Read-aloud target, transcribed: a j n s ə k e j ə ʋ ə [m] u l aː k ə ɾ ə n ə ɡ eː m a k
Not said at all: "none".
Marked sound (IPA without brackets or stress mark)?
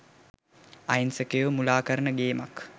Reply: m